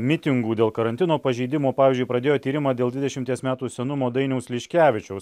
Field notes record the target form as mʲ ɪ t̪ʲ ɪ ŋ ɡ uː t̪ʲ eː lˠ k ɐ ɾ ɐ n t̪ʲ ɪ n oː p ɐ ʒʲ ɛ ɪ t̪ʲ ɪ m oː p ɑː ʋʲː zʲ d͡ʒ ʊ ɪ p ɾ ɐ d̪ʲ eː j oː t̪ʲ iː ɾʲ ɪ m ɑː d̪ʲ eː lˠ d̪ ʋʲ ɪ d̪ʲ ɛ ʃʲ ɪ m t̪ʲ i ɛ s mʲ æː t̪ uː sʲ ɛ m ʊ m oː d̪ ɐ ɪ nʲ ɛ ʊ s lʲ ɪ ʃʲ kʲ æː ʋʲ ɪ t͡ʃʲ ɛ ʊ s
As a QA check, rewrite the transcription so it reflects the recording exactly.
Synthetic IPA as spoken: mʲ ɪ t̪ʲ ɪ ŋ ɡ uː d̪ʲ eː lˠ k ɐ ɾ ɐ n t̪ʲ ɪ n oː p ɐ ʒʲ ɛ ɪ d̪ʲ ɪ m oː p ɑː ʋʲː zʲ d͡ʒ ʊ ɪ p ɾ ɐ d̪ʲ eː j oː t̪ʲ iː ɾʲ ɪ m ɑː d̪ʲ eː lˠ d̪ ʋʲ ɪ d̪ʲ ɛ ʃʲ ɪ m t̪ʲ i ɛ s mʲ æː t̪ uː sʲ ɛ n ʊ m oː d̪ ɐ ɪ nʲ ɛ ʊ s lʲ ɪ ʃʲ kʲ æː ʋʲ ɪ t͡ʃʲ ɛ ʊ s